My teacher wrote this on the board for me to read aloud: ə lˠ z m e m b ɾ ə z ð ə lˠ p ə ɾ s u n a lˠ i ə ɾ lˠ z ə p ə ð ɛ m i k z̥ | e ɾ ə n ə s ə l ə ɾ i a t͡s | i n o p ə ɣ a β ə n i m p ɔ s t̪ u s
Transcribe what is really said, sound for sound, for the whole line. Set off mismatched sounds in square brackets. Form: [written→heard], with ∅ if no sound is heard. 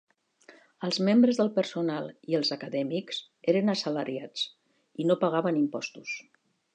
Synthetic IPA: ə lˠ z m e m b ɾ ə z ð ə lˠ p ə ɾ s u n a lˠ i ə [ɾ→∅] lˠ z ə [p→k] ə ð ɛ m i k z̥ | e ɾ ə n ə s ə l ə ɾ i a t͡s | i n o p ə ɣ a β ə n i m p ɔ s t̪ u s

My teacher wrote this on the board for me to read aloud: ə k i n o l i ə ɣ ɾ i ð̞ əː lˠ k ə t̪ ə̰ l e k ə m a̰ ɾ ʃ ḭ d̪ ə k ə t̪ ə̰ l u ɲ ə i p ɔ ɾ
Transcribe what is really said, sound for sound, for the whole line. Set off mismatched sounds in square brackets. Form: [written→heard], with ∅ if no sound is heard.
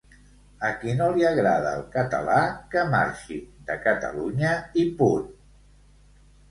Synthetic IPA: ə k i n o l i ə ɣ ɾ [i→a] ð̞ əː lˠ k ə t̪ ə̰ l [e→a] k ə m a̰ ɾ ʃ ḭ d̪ ə k ə t̪ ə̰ l u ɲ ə i p [ɔ→u] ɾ

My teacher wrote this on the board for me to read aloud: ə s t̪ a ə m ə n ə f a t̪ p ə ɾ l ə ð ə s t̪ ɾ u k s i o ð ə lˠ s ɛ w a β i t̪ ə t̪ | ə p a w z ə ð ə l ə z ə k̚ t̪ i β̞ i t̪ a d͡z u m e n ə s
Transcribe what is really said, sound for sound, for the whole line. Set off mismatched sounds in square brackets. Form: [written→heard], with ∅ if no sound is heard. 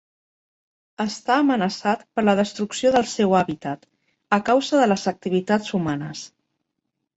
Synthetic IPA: ə s t̪ a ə m ə n ə [f→s] a t̪ p ə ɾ l ə ð ə s t̪ ɾ u k s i o ð ə lˠ s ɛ w a β i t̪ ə t̪ | ə [p→k] a w z ə ð ə l ə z ə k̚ t̪ i β̞ i t̪ a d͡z u m [e→a] n ə s

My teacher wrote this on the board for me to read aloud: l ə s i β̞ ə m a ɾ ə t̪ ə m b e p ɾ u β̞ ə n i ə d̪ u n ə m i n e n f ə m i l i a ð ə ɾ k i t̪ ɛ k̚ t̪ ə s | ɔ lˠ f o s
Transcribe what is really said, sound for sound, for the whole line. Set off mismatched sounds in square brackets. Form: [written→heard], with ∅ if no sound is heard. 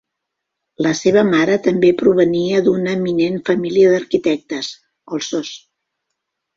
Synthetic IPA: l ə s [i→e] β̞ ə m a ɾ ə t̪ ə m b e p ɾ u β̞ ə n i ə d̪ u n ə m i n e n f ə m i l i [a→ə] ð ə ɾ k i t̪ ɛ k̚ t̪ ə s | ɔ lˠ [f→s] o s

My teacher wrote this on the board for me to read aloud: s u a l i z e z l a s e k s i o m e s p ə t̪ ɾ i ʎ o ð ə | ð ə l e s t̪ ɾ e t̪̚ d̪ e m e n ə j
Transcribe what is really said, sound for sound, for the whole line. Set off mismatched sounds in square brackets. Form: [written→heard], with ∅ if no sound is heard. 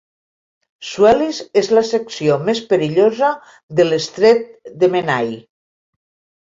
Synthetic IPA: s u [a→ɛ] l i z e z l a s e k s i o m e s p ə [t̪→∅] ɾ i ʎ o [ð→z] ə | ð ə l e s t̪ ɾ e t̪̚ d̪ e m e n [ə→a] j

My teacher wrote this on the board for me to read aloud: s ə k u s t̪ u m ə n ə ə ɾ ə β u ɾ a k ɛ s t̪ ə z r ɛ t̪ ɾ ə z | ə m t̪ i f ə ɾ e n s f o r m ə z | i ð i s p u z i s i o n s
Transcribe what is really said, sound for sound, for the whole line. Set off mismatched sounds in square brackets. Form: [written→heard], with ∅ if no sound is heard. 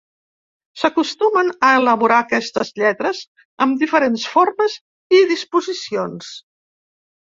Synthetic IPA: s ə k u s t̪ u m ə n ə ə [ɾ→l] ə β u ɾ a k ɛ s t̪ ə z [r→ʎ] ɛ t̪ ɾ ə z | ə m [t̪→d̪] i f ə ɾ e n s f o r m ə z | i ð i s p u z i s i o n s

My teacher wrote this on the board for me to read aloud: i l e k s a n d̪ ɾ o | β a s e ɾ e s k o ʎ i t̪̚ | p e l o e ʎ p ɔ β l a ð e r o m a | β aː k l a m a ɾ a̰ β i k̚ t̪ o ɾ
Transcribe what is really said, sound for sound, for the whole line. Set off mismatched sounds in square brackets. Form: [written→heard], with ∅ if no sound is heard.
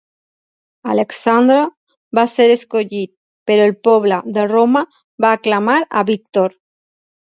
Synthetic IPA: [i→a] l e k s a n d̪ ɾ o | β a s e ɾ e s k o ʎ i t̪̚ | p e [l→ɾ] o e [ʎ→l] p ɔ β l a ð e r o m a | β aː k l a m a ɾ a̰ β i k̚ t̪ o ɾ

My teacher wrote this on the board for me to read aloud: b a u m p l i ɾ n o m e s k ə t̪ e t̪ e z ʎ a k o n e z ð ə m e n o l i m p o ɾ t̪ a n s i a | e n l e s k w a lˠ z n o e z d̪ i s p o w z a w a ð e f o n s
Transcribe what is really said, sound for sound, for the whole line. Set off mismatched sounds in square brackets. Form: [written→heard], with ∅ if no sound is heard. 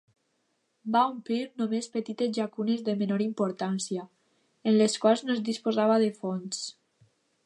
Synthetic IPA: b a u m p l i ɾ n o m e s [k→p] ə t̪ [e→i] t̪ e z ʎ a k [o→u] n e z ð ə m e n o [l→ɾ] i m p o ɾ t̪ a n s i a | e n l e s k w a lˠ z n o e z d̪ i s p o [w→∅] z a [w→β] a ð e f o n s

